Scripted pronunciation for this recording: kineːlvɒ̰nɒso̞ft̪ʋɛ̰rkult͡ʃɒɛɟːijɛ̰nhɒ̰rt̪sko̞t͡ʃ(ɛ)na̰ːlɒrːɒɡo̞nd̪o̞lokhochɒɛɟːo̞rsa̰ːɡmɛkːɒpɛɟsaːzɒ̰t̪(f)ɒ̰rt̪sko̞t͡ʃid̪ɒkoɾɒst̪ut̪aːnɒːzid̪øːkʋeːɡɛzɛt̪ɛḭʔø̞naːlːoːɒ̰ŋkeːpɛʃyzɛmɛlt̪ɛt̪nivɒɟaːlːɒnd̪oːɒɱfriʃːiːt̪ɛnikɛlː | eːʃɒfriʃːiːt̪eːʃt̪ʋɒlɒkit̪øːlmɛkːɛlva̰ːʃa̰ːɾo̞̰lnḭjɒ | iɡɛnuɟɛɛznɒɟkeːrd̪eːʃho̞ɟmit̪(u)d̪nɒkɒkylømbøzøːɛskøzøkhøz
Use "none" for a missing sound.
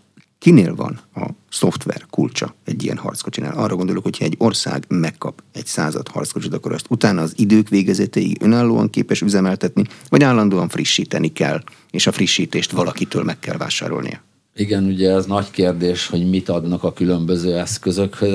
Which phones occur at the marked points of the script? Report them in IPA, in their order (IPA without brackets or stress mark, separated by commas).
i, h, ɒ